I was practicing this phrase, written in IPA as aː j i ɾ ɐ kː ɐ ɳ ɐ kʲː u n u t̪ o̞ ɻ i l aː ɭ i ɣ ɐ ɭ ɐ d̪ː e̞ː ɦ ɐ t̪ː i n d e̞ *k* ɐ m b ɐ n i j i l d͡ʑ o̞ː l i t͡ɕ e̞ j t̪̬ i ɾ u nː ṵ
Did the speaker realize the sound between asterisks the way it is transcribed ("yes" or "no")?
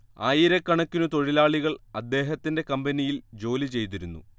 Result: yes